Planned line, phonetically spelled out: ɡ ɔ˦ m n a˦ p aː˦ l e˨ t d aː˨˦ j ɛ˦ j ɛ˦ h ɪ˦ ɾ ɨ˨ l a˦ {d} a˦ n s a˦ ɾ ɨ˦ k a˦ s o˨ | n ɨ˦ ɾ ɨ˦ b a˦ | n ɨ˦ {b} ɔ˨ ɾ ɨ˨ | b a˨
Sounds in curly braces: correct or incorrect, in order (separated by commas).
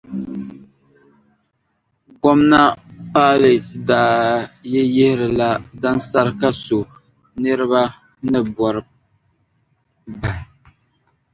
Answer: correct, correct